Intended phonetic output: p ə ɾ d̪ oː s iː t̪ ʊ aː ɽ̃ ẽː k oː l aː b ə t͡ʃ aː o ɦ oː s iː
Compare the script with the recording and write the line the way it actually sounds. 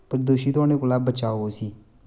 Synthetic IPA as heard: p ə ɾ d̪ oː ʃ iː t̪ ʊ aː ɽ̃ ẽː k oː l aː b ə t͡ʃ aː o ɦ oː s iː